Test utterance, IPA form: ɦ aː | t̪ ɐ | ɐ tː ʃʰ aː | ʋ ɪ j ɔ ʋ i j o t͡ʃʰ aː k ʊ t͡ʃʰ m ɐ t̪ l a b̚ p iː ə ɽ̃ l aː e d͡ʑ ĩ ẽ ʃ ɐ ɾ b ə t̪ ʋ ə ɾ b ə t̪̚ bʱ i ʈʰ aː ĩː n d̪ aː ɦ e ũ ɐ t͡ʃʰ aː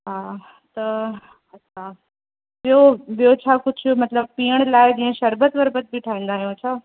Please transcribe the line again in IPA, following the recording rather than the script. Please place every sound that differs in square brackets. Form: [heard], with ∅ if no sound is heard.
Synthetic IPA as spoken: ɦ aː | t̪ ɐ | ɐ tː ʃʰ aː | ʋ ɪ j [o] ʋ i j o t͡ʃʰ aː k ʊ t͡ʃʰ m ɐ t̪ l [ə] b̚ p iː ə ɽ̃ l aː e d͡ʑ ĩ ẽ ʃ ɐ ɾ b ə t̪ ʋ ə ɾ b ə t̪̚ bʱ i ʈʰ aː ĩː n d̪ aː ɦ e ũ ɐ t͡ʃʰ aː